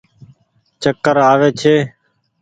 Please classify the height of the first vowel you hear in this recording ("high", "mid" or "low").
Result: mid